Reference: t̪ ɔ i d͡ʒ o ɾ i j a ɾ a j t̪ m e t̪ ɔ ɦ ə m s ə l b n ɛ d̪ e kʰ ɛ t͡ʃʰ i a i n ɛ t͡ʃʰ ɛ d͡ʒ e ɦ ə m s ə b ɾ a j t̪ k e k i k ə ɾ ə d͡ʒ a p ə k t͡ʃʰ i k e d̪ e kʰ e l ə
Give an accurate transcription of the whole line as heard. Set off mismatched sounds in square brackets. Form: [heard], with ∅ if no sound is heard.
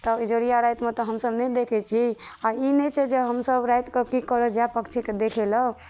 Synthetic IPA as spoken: t̪ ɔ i d͡ʒ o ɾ i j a ɾ a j t̪ m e t̪ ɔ ɦ ə m s ə [∅] b n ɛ d̪ e kʰ ɛ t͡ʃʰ i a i n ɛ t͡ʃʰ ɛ d͡ʒ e ɦ ə m s ə b ɾ a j t̪ k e k i k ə ɾ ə d͡ʒ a p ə k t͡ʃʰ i k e d̪ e kʰ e l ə

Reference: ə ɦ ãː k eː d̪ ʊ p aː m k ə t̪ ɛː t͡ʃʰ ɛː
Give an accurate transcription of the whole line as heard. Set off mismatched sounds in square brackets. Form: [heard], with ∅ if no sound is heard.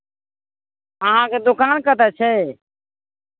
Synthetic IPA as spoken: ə ɦ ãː k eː d̪ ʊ [k] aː [n] k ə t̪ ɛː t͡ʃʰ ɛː

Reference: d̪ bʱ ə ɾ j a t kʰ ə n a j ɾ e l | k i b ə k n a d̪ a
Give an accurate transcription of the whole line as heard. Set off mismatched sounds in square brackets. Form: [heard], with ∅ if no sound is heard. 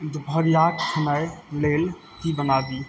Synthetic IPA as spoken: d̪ bʱ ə ɾ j a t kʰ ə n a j [l] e l | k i b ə [∅] n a d̪ [i]

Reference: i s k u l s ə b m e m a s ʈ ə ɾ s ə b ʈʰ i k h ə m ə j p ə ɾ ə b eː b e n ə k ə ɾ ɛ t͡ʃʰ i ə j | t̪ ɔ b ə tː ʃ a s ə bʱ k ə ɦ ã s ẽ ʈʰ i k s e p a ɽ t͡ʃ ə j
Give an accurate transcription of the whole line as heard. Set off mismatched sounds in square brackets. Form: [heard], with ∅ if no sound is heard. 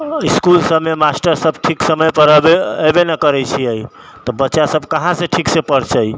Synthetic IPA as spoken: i s k u l s ə b m e m a s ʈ ə ɾ s ə b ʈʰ i k [s] ə m ə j p ə ɾ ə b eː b e n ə k ə ɾ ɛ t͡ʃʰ i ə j | t̪ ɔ b ə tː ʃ a s ə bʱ k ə ɦ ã s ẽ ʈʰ i k s e p [ə] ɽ t͡ʃ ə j

